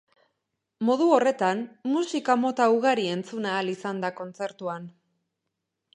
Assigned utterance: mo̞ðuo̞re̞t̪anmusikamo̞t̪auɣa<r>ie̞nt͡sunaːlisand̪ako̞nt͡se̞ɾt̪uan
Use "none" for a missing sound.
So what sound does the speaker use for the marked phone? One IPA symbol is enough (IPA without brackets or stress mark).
ɾ